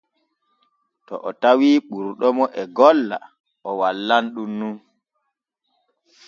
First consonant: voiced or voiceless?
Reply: voiceless